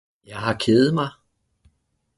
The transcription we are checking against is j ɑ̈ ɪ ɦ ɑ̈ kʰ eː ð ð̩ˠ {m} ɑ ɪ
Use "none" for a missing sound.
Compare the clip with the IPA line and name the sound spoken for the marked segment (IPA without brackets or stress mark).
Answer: m